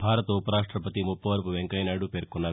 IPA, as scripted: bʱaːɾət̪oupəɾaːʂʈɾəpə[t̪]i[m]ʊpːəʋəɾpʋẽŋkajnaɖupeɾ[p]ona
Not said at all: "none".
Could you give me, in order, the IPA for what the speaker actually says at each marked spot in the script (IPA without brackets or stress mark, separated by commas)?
t̪, m, k